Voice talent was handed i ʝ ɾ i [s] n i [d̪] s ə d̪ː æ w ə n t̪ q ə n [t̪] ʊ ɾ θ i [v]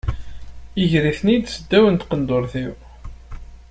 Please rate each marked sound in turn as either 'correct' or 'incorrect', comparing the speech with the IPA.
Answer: incorrect: θ, correct, incorrect: d̪, incorrect: w

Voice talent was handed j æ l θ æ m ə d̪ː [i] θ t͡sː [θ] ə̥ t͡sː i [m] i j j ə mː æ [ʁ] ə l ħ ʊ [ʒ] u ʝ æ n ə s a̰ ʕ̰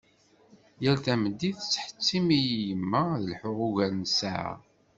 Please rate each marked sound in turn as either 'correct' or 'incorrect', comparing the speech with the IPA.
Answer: correct, incorrect: ħ, correct, incorrect: ð, incorrect: ʁ

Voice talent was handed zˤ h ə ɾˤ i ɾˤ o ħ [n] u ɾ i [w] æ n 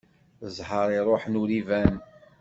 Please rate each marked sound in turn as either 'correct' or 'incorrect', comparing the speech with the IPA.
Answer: correct, incorrect: v

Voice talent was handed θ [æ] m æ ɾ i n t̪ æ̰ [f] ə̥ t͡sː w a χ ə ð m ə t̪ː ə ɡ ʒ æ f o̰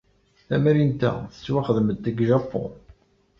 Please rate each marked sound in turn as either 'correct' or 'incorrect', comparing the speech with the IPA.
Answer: correct, incorrect: θ

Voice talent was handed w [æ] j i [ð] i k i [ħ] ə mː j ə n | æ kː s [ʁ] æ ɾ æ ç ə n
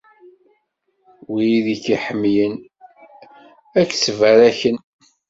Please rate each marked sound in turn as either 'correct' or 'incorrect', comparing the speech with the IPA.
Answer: incorrect: i, correct, correct, incorrect: v

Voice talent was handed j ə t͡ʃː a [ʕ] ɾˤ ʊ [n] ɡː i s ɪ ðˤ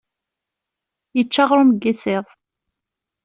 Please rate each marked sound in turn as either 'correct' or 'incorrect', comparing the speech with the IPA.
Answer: incorrect: ʁ, incorrect: m

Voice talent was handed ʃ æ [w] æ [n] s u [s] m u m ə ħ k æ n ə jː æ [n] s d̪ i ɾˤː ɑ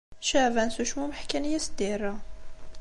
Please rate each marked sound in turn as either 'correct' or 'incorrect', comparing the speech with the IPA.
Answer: incorrect: v, correct, incorrect: ʃ, incorrect: none

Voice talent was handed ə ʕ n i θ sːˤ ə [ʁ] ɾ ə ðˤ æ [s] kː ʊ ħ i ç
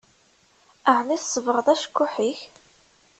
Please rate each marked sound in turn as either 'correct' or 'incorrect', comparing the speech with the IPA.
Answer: incorrect: v, incorrect: ʃ

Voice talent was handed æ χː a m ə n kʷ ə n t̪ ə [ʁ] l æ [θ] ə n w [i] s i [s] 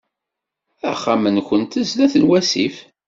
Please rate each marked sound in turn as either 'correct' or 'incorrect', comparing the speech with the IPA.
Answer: incorrect: z, correct, incorrect: æ, incorrect: f

